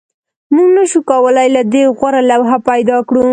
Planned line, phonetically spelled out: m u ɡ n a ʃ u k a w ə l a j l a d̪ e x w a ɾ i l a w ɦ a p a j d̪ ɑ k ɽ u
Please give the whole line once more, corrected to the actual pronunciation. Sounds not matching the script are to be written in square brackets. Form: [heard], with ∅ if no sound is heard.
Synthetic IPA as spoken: m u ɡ n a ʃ u k a w ə l a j l a d̪ e [ɣ] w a ɾ [a] l a w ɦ a p a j d̪ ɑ k ɽ u